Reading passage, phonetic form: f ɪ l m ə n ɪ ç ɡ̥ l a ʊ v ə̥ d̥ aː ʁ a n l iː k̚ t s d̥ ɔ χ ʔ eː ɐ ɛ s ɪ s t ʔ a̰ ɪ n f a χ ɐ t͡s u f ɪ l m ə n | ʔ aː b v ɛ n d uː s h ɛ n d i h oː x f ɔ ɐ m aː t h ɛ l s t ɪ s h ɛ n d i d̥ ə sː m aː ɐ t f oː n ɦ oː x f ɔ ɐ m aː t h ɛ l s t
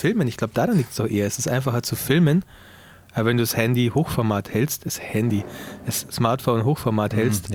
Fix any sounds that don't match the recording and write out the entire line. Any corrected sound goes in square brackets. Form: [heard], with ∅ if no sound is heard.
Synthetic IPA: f ɪ l m ə n ɪ ç ɡ̥ l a ʊ [b] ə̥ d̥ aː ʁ a n l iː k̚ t s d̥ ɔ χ ʔ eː ɐ ɛ s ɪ s t ʔ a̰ ɪ n f a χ ɐ t͡s u f ɪ l m ə n | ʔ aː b v ɛ n d uː s h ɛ n d i h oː x f ɔ ɐ m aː t h ɛ l s t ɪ s h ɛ n d i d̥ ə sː m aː ɐ t f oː n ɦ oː x f ɔ ɐ m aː t h ɛ l s t